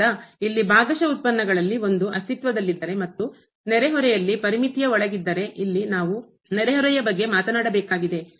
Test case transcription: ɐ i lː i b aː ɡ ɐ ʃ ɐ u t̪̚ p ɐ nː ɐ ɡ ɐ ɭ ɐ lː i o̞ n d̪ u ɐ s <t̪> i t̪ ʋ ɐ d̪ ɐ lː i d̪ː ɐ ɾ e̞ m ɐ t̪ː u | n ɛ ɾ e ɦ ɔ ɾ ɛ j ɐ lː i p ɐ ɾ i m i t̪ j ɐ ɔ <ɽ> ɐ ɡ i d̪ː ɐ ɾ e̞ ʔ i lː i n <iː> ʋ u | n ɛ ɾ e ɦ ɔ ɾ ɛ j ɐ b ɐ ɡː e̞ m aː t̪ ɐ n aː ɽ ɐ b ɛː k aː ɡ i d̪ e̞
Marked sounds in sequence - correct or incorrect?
correct, incorrect: ɭ, incorrect: aː

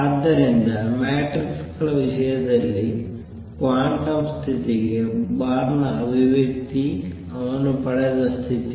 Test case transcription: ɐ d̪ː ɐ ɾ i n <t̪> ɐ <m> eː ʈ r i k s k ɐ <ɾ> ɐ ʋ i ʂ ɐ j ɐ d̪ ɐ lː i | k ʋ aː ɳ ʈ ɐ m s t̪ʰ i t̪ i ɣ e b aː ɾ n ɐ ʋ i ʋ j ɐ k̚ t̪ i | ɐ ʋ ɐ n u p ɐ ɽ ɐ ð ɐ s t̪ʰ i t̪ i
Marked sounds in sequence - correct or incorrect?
incorrect: d̪, correct, incorrect: ɭ

